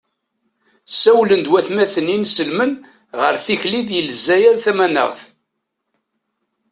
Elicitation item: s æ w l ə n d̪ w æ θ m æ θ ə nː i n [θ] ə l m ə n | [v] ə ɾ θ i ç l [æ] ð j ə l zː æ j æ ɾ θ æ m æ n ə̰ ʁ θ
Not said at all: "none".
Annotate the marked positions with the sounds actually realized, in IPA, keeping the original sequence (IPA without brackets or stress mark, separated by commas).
s, ʁ, i